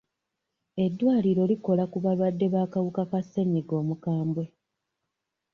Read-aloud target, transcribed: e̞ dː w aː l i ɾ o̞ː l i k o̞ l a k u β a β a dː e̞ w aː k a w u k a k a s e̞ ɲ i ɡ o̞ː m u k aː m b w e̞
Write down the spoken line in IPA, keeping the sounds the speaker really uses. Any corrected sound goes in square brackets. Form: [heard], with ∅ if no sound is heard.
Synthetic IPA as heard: e̞ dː w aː l i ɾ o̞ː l i k o̞ l a k u β a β a dː e̞ [β] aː k a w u k a k a s e̞ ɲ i ɡ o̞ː m u k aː m b w e̞